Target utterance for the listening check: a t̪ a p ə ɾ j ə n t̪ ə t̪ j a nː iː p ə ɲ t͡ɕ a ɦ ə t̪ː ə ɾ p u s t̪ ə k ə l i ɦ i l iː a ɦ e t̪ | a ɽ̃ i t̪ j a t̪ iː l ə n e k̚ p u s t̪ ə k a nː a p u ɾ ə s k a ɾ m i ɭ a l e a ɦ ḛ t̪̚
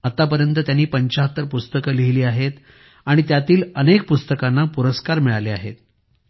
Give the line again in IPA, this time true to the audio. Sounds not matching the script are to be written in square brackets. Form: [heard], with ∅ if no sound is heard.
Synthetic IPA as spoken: a t̪ a p ə ɾ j ə n t̪ ə t̪ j a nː iː p ə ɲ t͡ɕ a ɦ ə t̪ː ə ɾ p u s t̪ ə k ə l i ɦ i l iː a ɦ e t̪ | a ɽ̃ i t̪ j a t̪ iː l ə n e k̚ p u s t̪ ə k a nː a p u ɾ ə s k a ɾ m i ɭ a l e a ɦ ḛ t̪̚

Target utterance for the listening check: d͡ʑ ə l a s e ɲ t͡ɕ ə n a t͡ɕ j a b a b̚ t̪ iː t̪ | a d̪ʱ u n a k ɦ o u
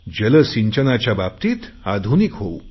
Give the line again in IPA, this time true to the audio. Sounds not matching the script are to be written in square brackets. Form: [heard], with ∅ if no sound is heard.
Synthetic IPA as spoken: d͡ʑ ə l [ə] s [i] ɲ t͡ɕ ə n a t͡ɕ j a b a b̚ t̪ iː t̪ | a d̪ʱ u n [i] k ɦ o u

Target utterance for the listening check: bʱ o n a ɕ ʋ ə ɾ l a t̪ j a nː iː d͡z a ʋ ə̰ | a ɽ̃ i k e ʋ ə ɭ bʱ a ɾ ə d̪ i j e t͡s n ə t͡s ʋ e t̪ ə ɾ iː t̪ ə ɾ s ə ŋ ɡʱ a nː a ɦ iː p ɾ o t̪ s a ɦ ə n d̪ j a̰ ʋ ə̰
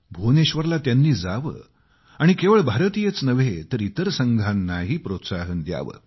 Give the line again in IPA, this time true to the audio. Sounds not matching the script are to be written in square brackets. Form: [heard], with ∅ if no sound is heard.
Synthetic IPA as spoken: bʱ o n [e] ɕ ʋ ə ɾ l a t̪ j a nː iː d͡z a ʋ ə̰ | a ɽ̃ i k e ʋ ə ɭ bʱ a ɾ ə [t̪] i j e t͡s n ə [∅] ʋ e t̪ ə ɾ [i] t̪ ə ɾ s ə ŋ ɡʱ a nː a ɦ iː p ɾ o t̪ s a ɦ ə n d̪ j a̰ ʋ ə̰

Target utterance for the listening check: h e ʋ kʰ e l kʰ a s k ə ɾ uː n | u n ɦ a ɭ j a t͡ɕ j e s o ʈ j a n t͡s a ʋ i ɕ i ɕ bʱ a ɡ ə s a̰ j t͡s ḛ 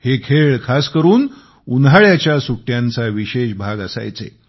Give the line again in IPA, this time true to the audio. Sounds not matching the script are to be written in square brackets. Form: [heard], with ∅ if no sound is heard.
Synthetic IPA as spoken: h e [∅] kʰ e [ɭ] kʰ a s k ə ɾ uː n | u n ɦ a ɭ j a t͡ɕ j [a] s [u] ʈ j a n t͡s a ʋ i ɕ [e] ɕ bʱ a ɡ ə s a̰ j t͡s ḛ

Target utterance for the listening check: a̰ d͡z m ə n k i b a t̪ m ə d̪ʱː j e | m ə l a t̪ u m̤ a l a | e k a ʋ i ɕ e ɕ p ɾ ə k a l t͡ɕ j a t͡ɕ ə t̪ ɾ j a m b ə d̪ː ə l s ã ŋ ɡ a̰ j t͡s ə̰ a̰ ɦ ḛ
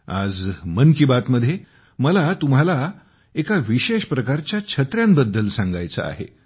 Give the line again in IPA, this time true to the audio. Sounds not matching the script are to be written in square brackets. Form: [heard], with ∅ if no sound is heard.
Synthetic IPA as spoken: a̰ d͡z m ə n k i b a t̪ m ə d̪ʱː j e | m ə l a t̪ u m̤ a l a | e k a ʋ i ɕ e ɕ p ɾ ə k a [ɾ] t͡ɕ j a [t͡ɕʰ] ə t̪ ɾ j a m b ə d̪ː ə l s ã ŋ ɡ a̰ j t͡s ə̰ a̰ ɦ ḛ

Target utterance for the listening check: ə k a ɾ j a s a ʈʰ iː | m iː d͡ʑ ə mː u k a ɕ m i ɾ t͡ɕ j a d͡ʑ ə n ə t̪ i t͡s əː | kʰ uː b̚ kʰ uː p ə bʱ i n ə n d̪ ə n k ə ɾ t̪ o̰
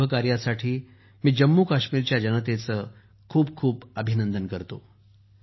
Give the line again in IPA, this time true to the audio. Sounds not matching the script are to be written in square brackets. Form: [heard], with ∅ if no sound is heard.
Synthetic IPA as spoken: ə k a ɾ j a s a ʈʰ iː | m iː d͡ʑ ə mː u k a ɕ m i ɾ t͡ɕ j a d͡ʑ ə n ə t̪ [e] t͡s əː | kʰ uː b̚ kʰ uː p ə bʱ i n ə n d̪ ə n k ə ɾ t̪ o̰

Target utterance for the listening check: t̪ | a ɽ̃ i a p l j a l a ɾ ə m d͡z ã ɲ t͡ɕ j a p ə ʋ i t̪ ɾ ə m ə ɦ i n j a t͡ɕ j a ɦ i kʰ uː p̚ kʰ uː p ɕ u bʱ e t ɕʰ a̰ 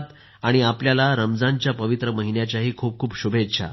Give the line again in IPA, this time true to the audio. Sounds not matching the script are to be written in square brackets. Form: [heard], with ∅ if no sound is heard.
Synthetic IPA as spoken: t̪ | a ɽ̃ i a p l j a l a ɾ ə m d͡z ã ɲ t͡ɕ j a p ə ʋ i t̪ ɾ ə m ə ɦ i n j a t͡ɕ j a ɦ [iː] kʰ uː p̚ kʰ uː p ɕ u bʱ e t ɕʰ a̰

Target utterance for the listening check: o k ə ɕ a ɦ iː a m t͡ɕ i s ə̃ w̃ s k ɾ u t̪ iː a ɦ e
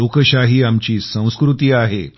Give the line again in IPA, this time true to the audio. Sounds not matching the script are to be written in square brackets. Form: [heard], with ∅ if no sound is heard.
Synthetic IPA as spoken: o k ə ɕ a ɦ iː a m t͡ɕ [iː] s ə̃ w̃ s k ɾ u t̪ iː a ɦ e

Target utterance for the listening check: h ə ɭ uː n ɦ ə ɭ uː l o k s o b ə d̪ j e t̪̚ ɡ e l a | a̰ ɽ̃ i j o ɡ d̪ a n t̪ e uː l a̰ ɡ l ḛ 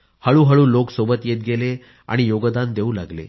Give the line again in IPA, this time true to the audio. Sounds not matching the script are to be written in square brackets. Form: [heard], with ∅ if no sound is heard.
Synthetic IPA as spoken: h ə ɭ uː [∅] ɦ ə ɭ uː l o k s o b ə [t̪] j e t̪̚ ɡ e l [e] | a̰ ɽ̃ i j o ɡ d̪ a n [d̪] e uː l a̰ ɡ l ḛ

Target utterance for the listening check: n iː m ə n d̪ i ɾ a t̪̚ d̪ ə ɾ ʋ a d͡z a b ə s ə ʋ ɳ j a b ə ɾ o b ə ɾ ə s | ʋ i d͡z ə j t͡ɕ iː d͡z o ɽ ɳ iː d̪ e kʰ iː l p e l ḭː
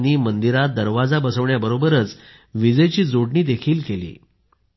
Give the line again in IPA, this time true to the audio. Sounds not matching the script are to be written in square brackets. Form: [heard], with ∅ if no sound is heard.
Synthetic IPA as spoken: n iː m ə n d̪ i ɾ a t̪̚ d̪ ə ɾ ʋ a d͡z a b ə s ə ʋ ɳ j a b ə ɾ o b ə ɾ ə [t͡s] | ʋ i d͡z ə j t͡ɕ iː d͡z o ɽ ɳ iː d̪ e kʰ iː l [k] e l ḭː

